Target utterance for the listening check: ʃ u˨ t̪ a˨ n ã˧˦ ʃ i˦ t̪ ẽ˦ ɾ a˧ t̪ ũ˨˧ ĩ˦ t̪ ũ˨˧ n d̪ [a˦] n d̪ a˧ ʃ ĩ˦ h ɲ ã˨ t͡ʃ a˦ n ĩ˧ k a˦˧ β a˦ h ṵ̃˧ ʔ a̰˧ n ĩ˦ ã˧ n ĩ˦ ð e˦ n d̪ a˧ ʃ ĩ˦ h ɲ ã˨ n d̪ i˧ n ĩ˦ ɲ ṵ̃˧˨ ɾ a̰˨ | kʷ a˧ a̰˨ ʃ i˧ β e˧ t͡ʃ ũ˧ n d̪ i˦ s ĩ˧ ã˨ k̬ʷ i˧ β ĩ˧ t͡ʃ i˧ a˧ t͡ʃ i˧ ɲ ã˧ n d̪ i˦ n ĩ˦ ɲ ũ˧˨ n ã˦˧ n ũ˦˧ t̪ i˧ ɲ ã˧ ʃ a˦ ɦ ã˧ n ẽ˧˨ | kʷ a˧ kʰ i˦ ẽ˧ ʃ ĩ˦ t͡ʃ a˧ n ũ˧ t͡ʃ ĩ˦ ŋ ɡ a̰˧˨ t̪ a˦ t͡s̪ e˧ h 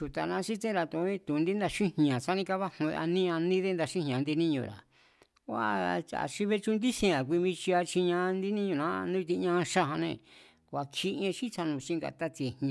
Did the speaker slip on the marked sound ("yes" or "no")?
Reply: yes